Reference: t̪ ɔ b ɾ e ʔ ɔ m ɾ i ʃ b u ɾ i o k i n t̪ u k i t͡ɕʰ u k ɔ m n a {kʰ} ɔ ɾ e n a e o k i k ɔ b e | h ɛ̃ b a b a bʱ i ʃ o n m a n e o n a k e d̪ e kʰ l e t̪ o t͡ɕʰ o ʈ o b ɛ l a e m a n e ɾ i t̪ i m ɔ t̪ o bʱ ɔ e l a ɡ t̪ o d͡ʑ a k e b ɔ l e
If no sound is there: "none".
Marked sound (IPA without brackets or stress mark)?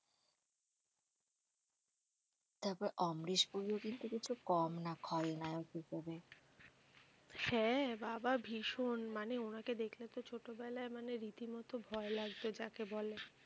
kʰ